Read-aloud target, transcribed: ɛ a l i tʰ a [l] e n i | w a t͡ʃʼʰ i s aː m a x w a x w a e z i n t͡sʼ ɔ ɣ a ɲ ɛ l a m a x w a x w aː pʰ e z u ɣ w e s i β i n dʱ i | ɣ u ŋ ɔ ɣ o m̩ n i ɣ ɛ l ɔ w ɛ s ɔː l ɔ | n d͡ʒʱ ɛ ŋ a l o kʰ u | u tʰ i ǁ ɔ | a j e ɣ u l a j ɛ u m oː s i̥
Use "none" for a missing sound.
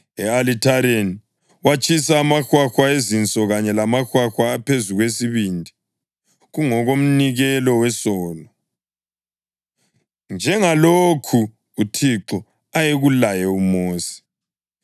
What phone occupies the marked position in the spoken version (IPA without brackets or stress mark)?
ɾ